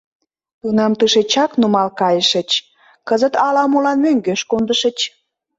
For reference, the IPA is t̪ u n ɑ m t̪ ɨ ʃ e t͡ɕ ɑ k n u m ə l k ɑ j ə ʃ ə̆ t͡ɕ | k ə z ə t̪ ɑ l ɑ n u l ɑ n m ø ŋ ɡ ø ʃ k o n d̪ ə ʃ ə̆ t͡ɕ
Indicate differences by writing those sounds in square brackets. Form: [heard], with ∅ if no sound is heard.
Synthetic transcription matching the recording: t̪ u n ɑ m t̪ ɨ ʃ e t͡ɕ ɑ k n u m [ɑ] l k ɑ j ə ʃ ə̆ t͡ɕ | k ə z ə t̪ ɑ l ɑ [m] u l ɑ n m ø ŋ ɡ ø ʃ k o n d̪ ə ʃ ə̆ t͡ɕ